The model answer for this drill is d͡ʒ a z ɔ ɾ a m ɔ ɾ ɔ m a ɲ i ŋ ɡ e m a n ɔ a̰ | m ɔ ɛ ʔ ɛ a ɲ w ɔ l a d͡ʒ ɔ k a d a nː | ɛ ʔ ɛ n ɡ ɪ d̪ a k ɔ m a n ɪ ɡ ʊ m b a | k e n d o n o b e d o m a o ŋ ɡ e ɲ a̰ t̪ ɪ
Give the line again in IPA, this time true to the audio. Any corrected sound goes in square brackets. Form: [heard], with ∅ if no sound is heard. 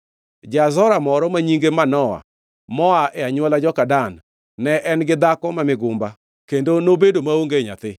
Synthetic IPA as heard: d͡ʒ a z ɔ ɾ a m ɔ ɾ ɔ m a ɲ i ŋ ɡ e m a n ɔ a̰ | m ɔ [a] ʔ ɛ a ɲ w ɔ l a d͡ʒ ɔ k a d a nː | ɛ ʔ ɛ n ɡ ɪ d̪ a k ɔ m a [m] ɪ ɡ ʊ m b a | k e n d o n o b e d o m a o ŋ ɡ e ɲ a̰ t̪ ɪ

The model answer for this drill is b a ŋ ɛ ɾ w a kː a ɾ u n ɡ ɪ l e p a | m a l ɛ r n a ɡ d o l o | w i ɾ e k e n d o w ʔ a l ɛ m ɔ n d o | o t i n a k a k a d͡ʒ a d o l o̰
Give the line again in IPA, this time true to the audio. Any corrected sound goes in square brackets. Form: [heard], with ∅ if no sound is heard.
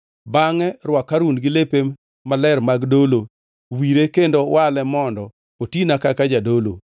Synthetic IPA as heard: b a ŋ ɛ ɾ w a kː a ɾ u n ɡ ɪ l e p [e] | m a l ɛ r [m] a ɡ d o l o | w i ɾ e k e n d o w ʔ a l ɛ m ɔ n d [ɔ] | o t i n a k a k a d͡ʒ a d o l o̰

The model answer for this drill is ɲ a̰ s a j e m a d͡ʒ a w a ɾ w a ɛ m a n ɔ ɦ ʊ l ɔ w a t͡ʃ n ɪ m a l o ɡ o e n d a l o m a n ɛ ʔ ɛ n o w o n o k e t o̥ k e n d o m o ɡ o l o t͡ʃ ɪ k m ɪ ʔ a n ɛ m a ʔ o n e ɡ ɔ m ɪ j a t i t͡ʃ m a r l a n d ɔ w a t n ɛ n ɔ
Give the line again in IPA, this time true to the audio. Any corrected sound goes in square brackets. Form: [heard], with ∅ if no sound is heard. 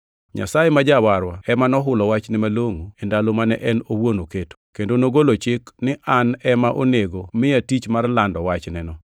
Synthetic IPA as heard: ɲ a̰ s a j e m a d͡ʒ a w a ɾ w a ɛ m a n ɔ ɦ ʊ l ɔ w a t͡ʃ n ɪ m a l o [ŋ] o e n d a l o m a n ɛ ʔ ɛ n o w o n o k e t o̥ k e n d o [n] o ɡ o l o t͡ʃ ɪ k [n] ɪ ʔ a n ɛ m a ʔ o n e ɡ [o] m ɪ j a t i t͡ʃ m a r l a n d ɔ w a [t͡ʃ] n ɛ n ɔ

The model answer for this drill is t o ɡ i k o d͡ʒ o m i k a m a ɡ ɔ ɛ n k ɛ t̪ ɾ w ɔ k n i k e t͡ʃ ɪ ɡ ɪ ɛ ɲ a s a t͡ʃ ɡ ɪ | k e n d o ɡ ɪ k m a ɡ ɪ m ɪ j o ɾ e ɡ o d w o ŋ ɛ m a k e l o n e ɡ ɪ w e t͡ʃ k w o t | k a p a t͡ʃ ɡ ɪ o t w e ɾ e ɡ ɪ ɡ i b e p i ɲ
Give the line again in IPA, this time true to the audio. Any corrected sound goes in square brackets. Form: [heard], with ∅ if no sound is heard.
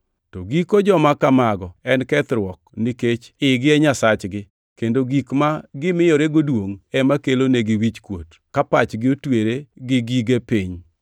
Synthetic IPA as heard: t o ɡ i k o d͡ʒ [ɔ] m [a] k a m a ɡ ɔ ɛ n k ɛ t̪ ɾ w ɔ k n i k e t͡ʃ ɪ ɡ ɪ ɛ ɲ a s a t͡ʃ ɡ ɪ | k e n d o ɡ [i] k m a ɡ ɪ m ɪ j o ɾ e ɡ o d w o ŋ ɛ m a k e l o n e ɡ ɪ w [i] t͡ʃ k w o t | k a p a t͡ʃ ɡ ɪ o t w e ɾ e ɡ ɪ ɡ i [ɡ] e p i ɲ

